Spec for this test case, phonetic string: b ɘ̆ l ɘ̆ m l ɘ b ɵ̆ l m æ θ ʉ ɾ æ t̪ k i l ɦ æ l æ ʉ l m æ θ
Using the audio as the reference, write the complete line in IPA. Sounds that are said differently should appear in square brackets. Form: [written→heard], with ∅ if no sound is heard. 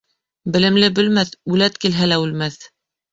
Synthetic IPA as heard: b ɘ̆ l ɘ̆ m l ɘ b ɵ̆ l m æ θ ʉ [ɾ→l] æ t̪ k i l ɦ æ l æ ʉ l m æ θ